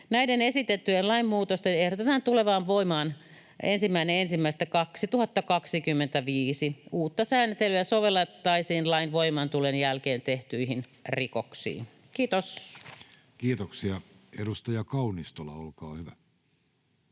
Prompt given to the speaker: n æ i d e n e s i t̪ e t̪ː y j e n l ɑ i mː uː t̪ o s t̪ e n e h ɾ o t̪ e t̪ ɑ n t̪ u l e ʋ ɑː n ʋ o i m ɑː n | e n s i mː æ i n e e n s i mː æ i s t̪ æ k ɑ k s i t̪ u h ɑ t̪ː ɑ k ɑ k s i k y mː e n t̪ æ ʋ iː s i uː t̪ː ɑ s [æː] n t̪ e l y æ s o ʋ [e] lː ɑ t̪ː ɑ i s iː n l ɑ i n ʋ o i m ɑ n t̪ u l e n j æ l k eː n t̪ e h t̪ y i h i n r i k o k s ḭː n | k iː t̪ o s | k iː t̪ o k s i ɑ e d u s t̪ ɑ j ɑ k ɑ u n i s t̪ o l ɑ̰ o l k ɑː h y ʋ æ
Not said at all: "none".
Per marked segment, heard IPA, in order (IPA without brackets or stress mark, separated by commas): æː, e